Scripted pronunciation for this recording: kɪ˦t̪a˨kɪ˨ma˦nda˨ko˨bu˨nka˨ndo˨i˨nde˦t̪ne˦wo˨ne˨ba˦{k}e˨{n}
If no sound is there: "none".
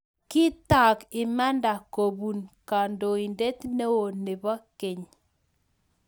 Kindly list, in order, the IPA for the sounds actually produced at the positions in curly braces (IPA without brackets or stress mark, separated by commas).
k, ɲ